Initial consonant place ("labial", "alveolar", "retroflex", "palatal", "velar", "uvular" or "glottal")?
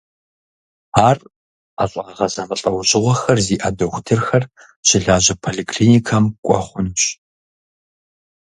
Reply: alveolar